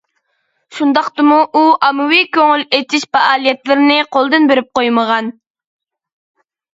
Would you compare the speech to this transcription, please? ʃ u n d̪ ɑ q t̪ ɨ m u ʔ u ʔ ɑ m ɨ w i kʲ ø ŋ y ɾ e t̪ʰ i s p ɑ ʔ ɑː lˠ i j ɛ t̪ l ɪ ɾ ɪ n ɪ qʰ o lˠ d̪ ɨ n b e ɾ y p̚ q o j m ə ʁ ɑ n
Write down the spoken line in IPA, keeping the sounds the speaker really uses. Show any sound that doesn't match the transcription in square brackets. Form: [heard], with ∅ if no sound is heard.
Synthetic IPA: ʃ u n d̪ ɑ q t̪ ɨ m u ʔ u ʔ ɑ m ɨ w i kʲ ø ŋ y [l] e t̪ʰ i [ʃ] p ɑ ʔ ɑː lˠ i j ɛ t̪ l ɪ ɾ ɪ n ɪ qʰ o lˠ d̪ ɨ n b e ɾ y p̚ q o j m ə ʁ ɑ n